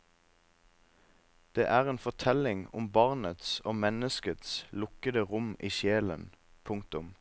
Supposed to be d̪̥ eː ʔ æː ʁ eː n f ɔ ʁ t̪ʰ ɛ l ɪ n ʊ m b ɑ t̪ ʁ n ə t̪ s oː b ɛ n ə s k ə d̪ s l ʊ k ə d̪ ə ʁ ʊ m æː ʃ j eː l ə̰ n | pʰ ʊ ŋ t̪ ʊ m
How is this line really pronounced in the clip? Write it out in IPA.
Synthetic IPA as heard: d̪̥ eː ʔ æː ʁ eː n f ɔ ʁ t̪ʰ ɛ l ɪ ŋ ʊ m b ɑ ʁ n ə t̪ s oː m ɛ n ə s k ə t̪ s l ʊ k ə d̪ ə ʁ ʊ m iː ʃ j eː l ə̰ n | pʰ ʊ ŋ t̪ ʊ m